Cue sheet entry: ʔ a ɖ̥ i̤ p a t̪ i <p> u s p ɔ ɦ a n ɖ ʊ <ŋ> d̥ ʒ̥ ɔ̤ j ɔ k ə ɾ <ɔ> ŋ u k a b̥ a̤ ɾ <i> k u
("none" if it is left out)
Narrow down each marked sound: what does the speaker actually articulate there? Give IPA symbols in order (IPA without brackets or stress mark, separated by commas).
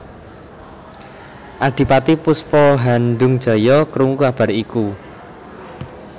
p, ŋ, u, i